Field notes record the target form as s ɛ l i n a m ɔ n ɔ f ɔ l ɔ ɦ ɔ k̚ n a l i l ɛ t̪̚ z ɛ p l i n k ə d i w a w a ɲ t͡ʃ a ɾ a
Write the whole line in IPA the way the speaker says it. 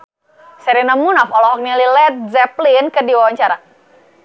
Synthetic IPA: s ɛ ɾ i n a m u n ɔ f ɔ l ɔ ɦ ɔ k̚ n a l i l ɛ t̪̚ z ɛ p l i n k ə d i w a w a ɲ t͡ʃ a ɾ a